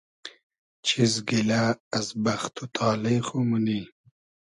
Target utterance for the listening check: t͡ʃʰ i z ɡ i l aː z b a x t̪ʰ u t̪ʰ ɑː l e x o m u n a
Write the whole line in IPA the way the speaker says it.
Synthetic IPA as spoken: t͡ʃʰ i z ɡ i l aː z b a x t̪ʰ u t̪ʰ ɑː l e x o m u n i